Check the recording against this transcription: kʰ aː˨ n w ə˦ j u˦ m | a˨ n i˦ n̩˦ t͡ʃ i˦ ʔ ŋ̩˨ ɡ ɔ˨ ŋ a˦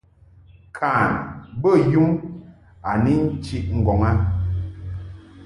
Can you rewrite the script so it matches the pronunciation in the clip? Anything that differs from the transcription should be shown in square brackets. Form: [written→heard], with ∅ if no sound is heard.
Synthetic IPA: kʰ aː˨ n [w→b] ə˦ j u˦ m | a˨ n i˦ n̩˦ t͡ʃ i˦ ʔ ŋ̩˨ ɡ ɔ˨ ŋ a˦